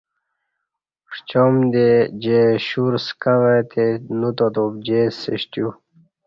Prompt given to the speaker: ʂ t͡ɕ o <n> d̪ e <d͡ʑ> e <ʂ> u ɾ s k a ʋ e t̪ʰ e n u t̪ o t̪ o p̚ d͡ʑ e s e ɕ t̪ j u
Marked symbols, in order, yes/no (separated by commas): no, yes, no